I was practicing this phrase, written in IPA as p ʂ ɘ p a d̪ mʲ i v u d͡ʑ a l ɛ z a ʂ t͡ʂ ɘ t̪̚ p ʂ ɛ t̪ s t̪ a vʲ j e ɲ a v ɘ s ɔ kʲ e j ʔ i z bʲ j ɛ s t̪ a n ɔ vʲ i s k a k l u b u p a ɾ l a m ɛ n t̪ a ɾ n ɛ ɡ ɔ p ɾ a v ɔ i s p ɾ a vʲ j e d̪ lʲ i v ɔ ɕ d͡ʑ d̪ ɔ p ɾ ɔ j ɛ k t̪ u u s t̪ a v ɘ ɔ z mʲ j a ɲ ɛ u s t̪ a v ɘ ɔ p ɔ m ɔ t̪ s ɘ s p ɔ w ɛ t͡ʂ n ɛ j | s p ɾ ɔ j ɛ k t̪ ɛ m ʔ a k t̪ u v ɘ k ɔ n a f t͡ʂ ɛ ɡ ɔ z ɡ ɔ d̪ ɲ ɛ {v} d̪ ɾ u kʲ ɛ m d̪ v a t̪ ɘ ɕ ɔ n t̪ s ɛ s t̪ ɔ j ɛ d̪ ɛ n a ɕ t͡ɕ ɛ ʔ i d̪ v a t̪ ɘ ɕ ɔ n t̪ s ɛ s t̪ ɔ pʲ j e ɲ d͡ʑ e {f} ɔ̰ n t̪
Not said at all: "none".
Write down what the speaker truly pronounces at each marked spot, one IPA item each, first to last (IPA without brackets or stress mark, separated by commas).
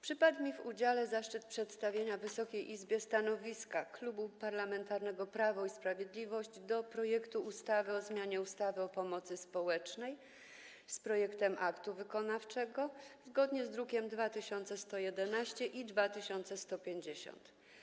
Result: z, ɕ